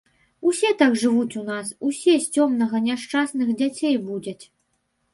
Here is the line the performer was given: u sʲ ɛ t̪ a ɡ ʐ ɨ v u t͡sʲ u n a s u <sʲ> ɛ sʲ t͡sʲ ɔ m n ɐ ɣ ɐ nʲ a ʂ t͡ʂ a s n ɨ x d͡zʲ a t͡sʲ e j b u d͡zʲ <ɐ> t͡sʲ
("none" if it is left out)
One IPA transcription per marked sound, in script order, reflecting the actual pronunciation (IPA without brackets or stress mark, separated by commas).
sʲ, ɐ